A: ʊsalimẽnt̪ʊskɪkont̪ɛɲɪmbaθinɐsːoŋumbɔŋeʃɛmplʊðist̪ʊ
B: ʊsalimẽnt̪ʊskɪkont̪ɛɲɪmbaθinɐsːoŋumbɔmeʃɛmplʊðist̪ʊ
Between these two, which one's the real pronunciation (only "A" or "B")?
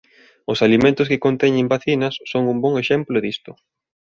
A